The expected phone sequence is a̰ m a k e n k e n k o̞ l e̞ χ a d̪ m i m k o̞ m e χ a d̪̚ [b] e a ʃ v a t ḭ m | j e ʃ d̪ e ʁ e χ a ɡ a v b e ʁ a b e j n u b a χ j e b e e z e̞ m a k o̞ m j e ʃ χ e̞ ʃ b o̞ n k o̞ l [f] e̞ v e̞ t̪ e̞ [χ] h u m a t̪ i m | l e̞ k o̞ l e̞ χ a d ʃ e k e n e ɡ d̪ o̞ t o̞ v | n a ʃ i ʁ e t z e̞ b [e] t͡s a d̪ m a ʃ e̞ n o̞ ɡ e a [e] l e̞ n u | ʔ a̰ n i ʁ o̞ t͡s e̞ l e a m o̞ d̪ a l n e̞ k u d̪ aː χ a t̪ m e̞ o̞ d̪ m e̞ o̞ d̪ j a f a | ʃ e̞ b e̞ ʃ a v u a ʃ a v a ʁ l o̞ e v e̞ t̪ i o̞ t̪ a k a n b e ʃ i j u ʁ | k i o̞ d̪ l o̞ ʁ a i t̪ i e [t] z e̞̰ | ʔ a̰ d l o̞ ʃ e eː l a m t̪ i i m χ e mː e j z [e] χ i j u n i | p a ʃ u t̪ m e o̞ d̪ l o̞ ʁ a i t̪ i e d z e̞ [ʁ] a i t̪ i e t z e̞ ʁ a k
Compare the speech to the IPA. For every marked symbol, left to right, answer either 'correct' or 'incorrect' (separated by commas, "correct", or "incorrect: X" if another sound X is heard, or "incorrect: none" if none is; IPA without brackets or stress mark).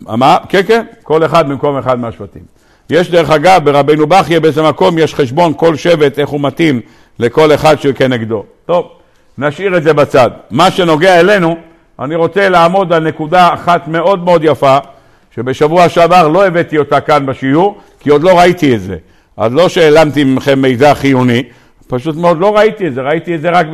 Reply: incorrect: m, incorrect: ʃ, correct, incorrect: a, correct, correct, incorrect: a, correct